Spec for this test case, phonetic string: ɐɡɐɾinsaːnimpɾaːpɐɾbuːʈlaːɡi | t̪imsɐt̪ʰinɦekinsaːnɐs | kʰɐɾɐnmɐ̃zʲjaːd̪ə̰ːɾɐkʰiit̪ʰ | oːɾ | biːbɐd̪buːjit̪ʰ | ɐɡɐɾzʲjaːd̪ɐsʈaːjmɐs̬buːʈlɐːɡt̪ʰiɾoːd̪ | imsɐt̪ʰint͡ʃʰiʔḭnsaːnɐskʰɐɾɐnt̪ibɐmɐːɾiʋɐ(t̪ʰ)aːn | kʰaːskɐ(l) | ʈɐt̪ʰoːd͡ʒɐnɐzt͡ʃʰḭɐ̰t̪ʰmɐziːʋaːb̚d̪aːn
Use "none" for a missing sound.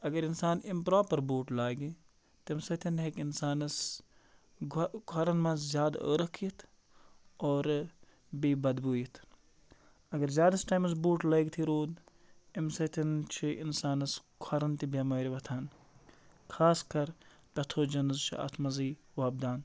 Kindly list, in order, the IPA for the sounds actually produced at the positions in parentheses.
t̪ʰ, ɾ

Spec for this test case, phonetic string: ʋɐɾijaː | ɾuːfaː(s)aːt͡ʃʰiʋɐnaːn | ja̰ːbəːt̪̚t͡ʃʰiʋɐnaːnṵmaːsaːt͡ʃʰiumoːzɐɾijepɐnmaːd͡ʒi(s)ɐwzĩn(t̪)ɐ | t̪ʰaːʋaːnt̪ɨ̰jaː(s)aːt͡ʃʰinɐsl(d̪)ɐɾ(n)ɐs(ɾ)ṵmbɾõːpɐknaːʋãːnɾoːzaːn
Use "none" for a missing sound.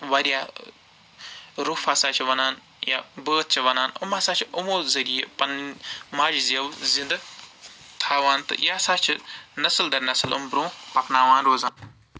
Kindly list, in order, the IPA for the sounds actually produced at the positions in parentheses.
s, z, d̪, s, d̪, n, l

